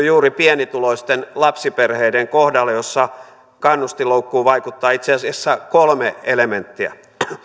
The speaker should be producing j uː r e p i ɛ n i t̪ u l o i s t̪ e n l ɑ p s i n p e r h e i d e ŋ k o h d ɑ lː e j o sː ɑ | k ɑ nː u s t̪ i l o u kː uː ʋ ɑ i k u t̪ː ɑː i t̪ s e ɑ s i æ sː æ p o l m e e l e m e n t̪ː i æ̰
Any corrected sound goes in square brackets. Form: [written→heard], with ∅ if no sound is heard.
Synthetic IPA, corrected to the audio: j uː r [e→i] p i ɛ n i t̪ u l o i s t̪ e n l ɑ p s i [n→∅] p e r h e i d e ŋ k o h d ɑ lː e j o sː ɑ | k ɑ nː u s t̪ i l o u kː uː ʋ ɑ i k u t̪ː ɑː i t̪ s e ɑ s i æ sː æ [p→k] o l m e e l e m e n t̪ː i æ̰